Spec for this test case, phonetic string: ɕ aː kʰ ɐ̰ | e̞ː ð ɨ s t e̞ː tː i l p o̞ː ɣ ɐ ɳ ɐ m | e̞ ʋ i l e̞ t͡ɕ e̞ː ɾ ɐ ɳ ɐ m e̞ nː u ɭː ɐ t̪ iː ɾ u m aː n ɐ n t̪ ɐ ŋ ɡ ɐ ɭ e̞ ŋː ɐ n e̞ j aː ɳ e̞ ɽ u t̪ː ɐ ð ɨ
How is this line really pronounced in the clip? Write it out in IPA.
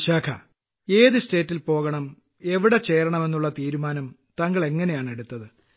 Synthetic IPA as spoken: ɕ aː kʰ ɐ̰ | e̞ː ð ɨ s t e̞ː tː i l p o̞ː ɣ ɐ ɳ ɐ m | e̞ ʋ i ɽ e̞ t͡ɕ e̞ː ɾ ɐ ɳ ɐ m e̞ nː u ɭː ɐ t̪ iː ɾ u m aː n ɐ m t̪ ɐ ŋ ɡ ɐ ɭ e̞ ŋː ɐ n e̞ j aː ɳ e̞ ɽ u t̪ː ɐ ð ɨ